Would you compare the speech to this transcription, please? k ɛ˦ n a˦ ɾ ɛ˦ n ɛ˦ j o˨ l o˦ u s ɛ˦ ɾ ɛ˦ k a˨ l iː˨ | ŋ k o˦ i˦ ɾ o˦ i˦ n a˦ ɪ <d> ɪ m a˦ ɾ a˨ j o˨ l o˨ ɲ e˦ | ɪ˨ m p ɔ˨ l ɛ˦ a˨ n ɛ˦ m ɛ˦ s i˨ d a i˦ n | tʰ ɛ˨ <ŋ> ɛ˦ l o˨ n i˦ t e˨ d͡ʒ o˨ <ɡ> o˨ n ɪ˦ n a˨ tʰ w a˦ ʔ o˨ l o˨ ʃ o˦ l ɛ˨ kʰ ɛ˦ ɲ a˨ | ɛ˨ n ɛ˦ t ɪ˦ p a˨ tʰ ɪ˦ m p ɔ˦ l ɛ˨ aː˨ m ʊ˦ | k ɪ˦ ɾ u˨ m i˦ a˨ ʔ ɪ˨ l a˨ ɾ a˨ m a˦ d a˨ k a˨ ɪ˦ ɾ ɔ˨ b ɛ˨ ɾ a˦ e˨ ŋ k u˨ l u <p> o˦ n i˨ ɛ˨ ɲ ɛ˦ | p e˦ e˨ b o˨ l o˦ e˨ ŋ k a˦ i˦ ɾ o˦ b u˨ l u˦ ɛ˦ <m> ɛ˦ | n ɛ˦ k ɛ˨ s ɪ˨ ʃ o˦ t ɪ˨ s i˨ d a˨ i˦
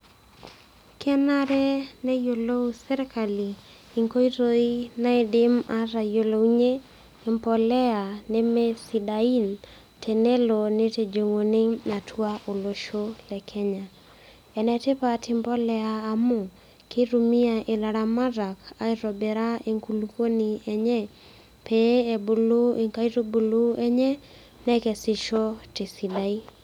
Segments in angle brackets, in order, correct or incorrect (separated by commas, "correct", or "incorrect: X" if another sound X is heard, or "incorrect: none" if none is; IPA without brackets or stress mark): correct, incorrect: n, incorrect: ŋ, incorrect: k, incorrect: ɲ